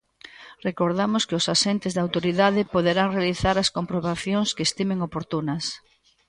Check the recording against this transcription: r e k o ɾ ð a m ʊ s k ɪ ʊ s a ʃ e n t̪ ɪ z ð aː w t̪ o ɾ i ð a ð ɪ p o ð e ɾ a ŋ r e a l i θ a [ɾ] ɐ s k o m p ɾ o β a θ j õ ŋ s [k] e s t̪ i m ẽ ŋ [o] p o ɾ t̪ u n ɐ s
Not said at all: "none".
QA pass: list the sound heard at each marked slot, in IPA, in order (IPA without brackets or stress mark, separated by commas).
ɾ, k, o